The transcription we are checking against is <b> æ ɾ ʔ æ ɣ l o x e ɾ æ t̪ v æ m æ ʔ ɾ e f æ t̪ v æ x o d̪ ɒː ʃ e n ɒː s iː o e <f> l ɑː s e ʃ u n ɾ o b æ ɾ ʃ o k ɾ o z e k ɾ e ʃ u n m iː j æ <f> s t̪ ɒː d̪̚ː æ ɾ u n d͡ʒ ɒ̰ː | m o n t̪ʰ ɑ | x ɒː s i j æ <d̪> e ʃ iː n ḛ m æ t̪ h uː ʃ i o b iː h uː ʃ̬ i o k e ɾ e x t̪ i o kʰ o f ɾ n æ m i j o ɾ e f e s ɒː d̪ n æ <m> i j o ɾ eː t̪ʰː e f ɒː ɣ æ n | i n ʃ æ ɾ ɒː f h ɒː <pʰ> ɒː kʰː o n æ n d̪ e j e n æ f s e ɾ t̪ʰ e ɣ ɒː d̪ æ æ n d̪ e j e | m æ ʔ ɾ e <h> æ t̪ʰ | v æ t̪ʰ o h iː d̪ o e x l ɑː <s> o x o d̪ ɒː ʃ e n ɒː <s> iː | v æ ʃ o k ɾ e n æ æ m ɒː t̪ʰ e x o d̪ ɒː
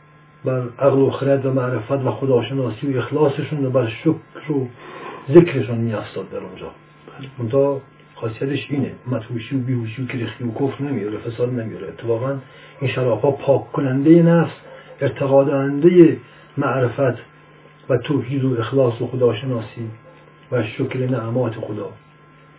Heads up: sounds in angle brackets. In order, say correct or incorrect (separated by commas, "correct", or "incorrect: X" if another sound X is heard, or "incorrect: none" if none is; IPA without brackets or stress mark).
correct, incorrect: x, correct, incorrect: t̪, correct, correct, incorrect: f, correct, correct